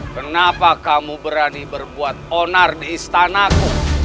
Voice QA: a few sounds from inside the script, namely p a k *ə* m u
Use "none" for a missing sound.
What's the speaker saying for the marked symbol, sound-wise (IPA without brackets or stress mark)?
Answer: a